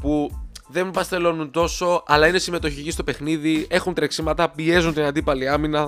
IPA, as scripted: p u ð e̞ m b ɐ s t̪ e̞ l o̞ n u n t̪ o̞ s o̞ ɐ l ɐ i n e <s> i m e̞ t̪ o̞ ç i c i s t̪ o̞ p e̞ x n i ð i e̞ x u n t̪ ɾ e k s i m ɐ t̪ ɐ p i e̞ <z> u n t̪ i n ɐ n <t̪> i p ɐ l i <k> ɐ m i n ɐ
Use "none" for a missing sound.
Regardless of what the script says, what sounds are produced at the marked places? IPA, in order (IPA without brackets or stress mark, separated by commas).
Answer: s, z, d̪, none